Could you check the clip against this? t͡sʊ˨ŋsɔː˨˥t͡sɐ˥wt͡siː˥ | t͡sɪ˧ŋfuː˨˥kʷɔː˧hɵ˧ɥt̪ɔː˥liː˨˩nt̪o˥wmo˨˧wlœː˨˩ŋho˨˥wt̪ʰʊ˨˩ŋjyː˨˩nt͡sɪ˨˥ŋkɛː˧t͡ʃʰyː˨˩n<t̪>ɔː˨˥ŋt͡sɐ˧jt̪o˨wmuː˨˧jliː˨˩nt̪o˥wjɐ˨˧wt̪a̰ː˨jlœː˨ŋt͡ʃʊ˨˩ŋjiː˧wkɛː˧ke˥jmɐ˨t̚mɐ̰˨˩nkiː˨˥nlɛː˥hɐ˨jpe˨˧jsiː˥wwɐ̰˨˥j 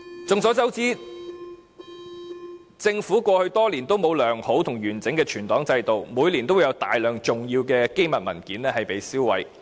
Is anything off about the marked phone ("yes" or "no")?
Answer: no